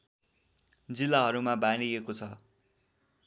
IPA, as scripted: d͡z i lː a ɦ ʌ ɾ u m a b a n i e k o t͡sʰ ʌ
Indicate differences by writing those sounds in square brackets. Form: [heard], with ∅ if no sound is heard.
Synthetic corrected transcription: d͡z i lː a ɦ ʌ ɾ u m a b a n i e k o t͡sʰ ʌ